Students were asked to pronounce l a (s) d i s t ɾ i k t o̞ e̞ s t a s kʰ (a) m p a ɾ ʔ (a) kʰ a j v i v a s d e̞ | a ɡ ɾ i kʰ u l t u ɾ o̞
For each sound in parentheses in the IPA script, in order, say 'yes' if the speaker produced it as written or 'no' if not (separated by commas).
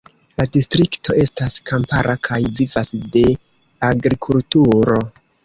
no, yes, yes